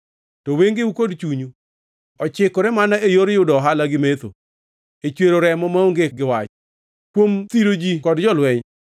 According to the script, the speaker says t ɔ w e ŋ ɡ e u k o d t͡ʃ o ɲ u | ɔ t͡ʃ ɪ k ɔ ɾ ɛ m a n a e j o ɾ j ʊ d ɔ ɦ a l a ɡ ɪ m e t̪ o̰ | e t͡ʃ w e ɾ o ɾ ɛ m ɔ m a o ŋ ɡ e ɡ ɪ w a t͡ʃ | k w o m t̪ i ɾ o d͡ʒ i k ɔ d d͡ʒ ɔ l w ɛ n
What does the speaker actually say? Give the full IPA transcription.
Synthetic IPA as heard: t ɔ w e ŋ ɡ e u k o d t͡ʃ u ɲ u | ɔ t͡ʃ ɪ k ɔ ɾ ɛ m a n a e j o ɾ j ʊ d ɔ ɦ a l a ɡ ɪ m e t̪ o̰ | e t͡ʃ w e ɾ o ɾ ɛ m ɔ m a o ŋ ɡ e ɡ ɪ w a t͡ʃ | k w o m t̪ i ɾ o d͡ʒ i k ɔ d d͡ʒ ɔ l w ɛ ɲ

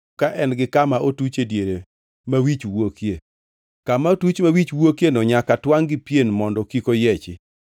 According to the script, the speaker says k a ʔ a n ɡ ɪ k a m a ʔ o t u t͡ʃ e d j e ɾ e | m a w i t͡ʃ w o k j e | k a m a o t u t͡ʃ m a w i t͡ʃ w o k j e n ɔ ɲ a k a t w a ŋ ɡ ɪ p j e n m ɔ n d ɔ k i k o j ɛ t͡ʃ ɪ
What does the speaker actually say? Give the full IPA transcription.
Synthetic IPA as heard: k a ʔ ɛ n ɡ ɪ k a m a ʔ o t u t͡ʃ e d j e ɾ e | m a w i t͡ʃ w o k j e | k a m a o t u t͡ʃ m a w i t͡ʃ w o k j e n ɔ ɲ a k a t w a ŋ ɡ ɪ p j e n m ɔ n d ɔ k i k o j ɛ t͡ʃ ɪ

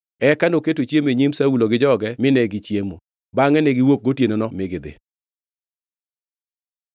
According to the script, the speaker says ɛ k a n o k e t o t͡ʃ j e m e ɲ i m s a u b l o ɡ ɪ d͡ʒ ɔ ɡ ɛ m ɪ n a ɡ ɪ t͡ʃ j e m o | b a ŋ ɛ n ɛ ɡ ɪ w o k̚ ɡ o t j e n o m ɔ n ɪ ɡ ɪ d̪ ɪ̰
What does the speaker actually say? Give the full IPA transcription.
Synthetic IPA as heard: ɛ k a n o k e t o t͡ʃ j e m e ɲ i m s a u l o ɡ ɪ d͡ʒ ɔ ɡ ɛ m ɪ n ɛ ɡ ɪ t͡ʃ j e m o | b a ŋ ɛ n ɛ ɡ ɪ w o k̚ ɡ o t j e n o n ɔ m ɪ ɡ ɪ d̪ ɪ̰

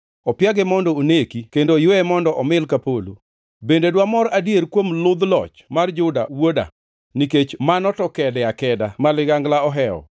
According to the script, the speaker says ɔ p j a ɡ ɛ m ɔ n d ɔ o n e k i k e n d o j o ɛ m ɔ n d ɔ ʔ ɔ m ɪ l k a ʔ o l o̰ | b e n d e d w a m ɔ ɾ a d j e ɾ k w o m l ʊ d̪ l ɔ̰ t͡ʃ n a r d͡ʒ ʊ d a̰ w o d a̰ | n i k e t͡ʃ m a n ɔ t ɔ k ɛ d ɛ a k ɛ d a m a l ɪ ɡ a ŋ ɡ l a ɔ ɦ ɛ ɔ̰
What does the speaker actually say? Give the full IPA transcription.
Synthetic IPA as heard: ɔ p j a ɡ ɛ m ɔ n d ɔ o n e k i k e n d o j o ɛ m ɔ n d ɔ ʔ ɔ m ɪ l k a p o l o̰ | b e n d e d w a m ɔ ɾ a d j e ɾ k w o m l ʊ d̪ l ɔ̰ t͡ʃ m a r d͡ʒ ʊ d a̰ w o d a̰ | n i k e t͡ʃ m a n ɔ t ɔ k ɛ d ɛ a k ɛ d a m a l ɪ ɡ a ŋ ɡ l a ɔ ɦ ɛ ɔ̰

